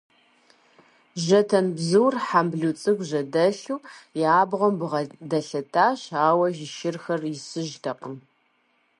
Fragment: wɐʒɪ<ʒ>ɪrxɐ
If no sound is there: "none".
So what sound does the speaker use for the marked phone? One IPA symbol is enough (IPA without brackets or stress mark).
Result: ʃ